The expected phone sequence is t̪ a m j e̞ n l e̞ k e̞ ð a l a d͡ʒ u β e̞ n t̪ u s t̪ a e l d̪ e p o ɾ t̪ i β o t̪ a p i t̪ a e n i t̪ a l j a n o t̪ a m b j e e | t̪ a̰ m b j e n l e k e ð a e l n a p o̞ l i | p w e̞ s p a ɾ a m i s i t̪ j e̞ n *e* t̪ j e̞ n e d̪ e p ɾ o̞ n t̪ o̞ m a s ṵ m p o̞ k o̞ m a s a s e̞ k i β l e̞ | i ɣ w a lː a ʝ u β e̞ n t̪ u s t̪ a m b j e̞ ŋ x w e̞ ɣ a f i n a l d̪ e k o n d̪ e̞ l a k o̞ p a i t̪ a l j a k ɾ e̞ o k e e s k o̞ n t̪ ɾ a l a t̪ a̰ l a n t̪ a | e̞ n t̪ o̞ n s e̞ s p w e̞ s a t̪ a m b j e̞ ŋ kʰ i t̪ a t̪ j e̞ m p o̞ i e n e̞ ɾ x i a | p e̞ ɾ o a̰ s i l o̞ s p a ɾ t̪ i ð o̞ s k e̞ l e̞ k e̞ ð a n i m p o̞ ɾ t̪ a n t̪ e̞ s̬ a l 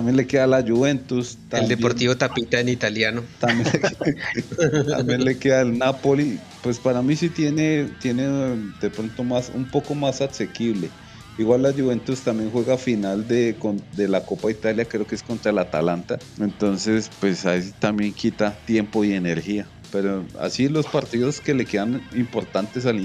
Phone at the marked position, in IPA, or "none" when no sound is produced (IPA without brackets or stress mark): e